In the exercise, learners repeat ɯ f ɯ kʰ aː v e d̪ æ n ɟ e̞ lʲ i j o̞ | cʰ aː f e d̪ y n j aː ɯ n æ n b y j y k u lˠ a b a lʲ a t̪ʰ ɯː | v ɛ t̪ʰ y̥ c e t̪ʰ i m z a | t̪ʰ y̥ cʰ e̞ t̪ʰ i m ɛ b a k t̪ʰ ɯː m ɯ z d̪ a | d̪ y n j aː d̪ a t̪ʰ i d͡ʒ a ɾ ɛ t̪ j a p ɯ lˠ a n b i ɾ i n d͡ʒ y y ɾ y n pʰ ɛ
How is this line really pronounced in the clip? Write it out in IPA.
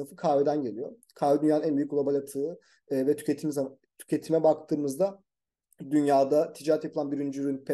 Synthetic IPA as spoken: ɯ f ɯ kʰ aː v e d̪ æ n ɟ e̞ lʲ i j o̞ | kʰ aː v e d̪ y n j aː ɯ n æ n b y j y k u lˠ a b a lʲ a t̪ʰ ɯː | v ɛ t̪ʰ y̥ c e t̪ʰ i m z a | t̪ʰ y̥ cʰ e̞ t̪ʰ i m ɛ b a k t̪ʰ ɯː m ɯ z d̪ a | d̪ y n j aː d̪ a t̪ʰ i d͡ʒ a ɾ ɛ t̪ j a p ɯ lˠ a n b i ɾ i n d͡ʒ y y ɾ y n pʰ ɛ